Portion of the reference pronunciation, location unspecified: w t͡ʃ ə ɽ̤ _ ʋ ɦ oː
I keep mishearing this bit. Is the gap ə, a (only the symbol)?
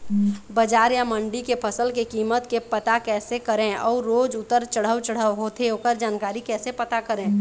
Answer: ə